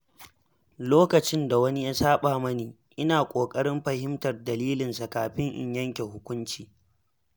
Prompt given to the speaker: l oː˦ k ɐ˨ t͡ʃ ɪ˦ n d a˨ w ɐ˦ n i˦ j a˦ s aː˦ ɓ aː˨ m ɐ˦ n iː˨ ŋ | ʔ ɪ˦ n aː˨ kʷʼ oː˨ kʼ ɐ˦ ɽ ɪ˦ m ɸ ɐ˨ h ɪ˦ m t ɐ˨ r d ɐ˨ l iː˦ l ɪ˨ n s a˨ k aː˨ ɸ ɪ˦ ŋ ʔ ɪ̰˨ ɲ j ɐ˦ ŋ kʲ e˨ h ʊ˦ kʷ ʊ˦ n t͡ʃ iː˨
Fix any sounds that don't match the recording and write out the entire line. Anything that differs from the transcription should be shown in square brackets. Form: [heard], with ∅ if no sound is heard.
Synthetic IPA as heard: l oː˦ k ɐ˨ t͡ʃ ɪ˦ n d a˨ w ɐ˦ n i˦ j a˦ s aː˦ ɓ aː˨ m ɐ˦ n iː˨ [∅] | ʔ ɪ˦ n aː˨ kʷʼ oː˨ kʼ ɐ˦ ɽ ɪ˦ m ɸ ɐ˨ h ɪ˦ m t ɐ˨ r d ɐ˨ l iː˦ l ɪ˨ n s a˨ k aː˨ ɸ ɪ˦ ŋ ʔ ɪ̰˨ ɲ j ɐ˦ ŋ kʲ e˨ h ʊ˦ kʷ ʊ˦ n t͡ʃ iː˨